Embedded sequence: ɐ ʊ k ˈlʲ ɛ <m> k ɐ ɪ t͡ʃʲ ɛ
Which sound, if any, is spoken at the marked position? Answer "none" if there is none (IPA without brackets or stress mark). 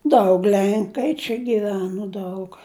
ŋ